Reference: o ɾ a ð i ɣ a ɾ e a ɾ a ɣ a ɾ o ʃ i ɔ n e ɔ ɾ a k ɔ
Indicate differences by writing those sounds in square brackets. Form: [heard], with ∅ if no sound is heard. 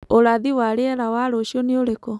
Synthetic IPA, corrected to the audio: o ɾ a ð i [w] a ɾ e [ɛ] ɾ a [w] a ɾ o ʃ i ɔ n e [o] ɾ [e] k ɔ